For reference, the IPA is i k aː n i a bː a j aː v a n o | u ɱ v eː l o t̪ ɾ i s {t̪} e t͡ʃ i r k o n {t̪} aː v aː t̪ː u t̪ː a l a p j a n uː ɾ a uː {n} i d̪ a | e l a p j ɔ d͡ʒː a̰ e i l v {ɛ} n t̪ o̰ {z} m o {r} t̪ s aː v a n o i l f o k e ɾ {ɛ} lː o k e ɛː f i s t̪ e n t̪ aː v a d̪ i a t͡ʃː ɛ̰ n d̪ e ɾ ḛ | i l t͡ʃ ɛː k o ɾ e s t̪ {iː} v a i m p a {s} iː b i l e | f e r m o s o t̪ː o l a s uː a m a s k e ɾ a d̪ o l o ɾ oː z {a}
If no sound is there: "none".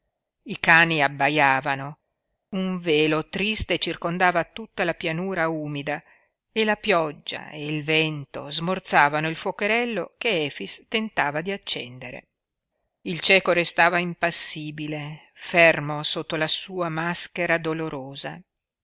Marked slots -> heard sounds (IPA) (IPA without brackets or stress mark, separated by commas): t̪, d̪, m, ɛ, z, r, ɛ, aː, sː, a